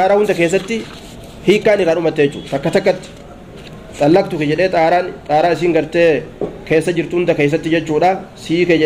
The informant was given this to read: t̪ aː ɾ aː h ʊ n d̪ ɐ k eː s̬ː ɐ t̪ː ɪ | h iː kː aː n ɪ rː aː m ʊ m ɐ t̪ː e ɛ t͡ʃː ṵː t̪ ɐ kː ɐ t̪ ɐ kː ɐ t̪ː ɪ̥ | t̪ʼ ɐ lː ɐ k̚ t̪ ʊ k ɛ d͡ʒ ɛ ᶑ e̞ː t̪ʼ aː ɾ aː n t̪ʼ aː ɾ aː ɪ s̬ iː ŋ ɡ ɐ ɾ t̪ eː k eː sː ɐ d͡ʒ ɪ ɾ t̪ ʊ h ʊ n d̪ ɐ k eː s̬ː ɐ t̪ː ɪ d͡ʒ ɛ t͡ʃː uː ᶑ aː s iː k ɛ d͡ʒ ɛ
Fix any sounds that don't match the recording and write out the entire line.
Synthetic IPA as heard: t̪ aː ɾ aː h ʊ n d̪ ɐ k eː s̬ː ɐ t̪ː ɪ | h iː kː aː n ɪ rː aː n ʊ m ɐ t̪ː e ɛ t͡ʃː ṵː t̪ ɐ kː ɐ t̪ ɐ kː ɐ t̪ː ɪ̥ | t̪ʼ ɐ lː ɐ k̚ t̪ ʊ k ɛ d͡ʒ ɛ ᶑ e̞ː t̪ʼ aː ɾ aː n t̪ʼ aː ɾ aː ɪ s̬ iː ŋ ɡ ɐ ɾ t̪ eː k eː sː ɐ d͡ʒ ɪ ɾ t̪ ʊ h ʊ n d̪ ɐ k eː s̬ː ɐ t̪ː ɪ d͡ʒ ɛ t͡ʃː uː ᶑ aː s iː k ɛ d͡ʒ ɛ

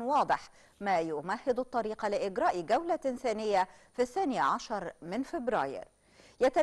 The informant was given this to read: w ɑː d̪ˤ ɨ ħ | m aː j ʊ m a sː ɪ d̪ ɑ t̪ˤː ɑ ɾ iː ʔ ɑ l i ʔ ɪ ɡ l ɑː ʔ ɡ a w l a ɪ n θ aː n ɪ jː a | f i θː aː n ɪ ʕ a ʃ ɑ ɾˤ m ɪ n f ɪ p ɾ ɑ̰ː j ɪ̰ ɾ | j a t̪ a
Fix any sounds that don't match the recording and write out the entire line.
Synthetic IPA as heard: w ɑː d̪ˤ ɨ ħ | m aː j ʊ m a hː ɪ d̪ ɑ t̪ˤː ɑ ɾ iː q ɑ l ɪ ʔ ɪ ɡ ɾ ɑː ʔ ɡ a w l a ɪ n θ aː n ɪ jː a | f i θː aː n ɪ ʕ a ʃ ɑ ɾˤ m ɪ n f ɪ b ɾ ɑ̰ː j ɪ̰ ɾ | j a t̪ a

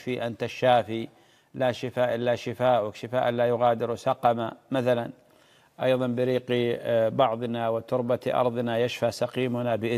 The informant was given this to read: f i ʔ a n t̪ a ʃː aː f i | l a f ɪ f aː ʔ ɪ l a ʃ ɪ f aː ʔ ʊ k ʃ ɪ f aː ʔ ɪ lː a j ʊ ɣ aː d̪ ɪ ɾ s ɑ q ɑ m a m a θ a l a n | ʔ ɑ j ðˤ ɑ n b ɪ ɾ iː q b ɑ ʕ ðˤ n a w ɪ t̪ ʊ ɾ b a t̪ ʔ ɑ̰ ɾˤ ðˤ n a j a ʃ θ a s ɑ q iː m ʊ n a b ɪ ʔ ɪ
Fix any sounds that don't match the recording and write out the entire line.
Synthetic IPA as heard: f i ʔ a n t̪ a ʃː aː f i | l a ʃ ɪ f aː ʔ ɪ lː a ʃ ɪ f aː ʔ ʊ k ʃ ɪ f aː ʔ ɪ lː a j ʊ ɣ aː d̪ ɪ ɾ s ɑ q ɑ m a m a θ a l a n | ʔ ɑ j ðˤ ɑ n b ɪ ɾ iː q b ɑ ʕ ðˤ n a w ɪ t̪ ʊ ɾ b a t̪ ʔ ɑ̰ ɾˤ ðˤ n a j a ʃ f a s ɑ q iː m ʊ n a b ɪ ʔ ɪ

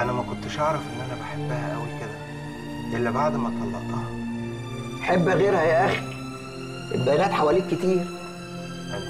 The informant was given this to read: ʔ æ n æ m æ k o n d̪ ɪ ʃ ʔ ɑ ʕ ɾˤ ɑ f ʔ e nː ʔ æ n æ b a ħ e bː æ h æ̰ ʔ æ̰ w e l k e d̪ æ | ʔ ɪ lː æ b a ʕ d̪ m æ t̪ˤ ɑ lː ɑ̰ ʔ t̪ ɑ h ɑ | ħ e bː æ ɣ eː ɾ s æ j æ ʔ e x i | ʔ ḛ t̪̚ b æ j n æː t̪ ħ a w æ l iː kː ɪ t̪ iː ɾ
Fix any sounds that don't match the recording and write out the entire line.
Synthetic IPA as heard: ʔ æ n æ m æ k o n t̪ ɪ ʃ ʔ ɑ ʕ ɾˤ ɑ f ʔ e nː ʔ æ n æ b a ħ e bː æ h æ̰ ʔ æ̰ w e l k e d̪ æ | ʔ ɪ lː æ b a ʕ d̪ m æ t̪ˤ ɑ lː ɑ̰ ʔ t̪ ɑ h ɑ | ħ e bː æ ɣ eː ɾ h æ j æ ʔ æ x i | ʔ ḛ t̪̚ b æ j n æː t̪ ħ a w æ l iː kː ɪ t̪ iː ɾ

